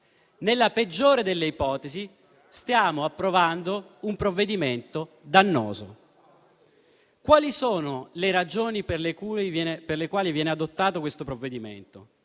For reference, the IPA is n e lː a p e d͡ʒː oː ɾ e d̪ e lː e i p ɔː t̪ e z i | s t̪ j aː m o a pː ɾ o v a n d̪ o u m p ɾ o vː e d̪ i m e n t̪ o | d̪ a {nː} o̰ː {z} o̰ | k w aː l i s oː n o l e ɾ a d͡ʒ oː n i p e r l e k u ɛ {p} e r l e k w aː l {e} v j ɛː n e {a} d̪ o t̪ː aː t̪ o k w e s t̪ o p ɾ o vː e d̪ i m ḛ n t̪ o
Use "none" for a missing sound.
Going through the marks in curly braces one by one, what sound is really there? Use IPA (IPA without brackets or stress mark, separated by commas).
nː, z, p, i, a